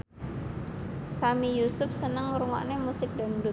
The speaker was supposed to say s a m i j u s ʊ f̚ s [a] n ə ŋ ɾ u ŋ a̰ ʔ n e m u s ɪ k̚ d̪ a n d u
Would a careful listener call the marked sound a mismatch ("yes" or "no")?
yes